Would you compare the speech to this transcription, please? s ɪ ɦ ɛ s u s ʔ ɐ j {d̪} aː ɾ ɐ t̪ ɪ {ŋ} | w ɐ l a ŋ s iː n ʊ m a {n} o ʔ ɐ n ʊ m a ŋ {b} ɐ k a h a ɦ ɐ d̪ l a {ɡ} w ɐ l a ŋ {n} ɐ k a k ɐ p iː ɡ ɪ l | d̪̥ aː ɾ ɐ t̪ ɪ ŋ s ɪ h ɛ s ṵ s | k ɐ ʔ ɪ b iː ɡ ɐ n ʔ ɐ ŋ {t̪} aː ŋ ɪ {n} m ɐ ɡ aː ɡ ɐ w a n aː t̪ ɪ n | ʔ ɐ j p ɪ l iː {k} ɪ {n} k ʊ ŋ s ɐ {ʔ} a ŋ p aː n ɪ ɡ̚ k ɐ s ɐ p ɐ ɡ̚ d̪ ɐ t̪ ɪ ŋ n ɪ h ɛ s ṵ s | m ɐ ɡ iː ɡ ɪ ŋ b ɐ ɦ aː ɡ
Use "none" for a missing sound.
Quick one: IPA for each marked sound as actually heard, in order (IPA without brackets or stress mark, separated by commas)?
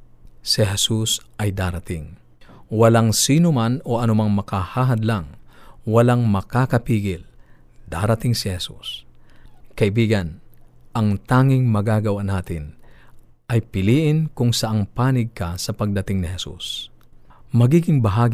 d̪, ŋ, n, m, ŋ, m, t̪, ŋ, ʔ, n, ʔ